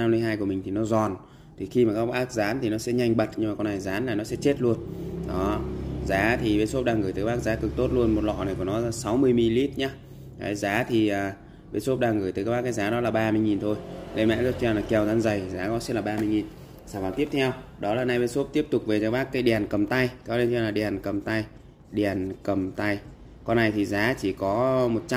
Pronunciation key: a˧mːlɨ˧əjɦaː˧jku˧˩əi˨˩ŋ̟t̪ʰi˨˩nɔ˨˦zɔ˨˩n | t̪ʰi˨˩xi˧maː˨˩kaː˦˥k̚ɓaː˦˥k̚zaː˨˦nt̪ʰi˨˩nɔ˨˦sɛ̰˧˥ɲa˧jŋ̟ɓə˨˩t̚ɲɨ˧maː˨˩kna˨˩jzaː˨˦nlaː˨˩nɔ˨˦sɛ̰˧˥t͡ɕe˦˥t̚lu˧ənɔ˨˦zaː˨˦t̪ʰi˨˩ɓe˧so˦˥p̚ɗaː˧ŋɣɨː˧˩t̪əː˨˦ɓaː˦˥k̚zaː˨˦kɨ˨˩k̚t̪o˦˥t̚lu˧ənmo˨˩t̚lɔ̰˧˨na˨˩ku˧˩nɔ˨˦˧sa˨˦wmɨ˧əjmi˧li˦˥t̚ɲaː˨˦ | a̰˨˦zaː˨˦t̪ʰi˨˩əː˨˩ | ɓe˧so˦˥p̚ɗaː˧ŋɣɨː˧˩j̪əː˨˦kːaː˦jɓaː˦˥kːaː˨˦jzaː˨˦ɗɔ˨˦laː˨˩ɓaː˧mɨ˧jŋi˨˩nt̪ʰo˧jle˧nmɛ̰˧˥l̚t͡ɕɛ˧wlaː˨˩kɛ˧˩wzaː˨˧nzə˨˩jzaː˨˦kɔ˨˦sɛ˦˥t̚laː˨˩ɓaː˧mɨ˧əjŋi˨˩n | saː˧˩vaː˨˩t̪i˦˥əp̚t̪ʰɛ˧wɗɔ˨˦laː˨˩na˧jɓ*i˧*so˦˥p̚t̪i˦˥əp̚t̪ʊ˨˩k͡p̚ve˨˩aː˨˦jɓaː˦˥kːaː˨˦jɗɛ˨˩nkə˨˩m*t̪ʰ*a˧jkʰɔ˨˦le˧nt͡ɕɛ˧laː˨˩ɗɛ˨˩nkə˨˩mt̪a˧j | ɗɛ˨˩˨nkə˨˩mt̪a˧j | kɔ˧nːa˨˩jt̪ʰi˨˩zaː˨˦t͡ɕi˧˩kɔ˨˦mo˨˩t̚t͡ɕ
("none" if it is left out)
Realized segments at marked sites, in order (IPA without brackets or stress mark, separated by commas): e˧, t̪